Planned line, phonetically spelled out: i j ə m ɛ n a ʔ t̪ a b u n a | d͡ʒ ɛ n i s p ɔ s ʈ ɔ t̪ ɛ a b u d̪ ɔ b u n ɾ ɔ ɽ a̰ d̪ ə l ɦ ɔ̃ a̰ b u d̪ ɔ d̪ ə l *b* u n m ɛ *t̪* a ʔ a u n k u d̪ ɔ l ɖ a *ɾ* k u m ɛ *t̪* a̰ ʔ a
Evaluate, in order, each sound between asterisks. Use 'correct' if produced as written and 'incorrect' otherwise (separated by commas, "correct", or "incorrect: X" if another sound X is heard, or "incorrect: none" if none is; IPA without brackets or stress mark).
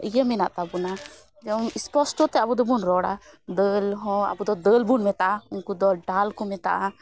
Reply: correct, correct, incorrect: l, correct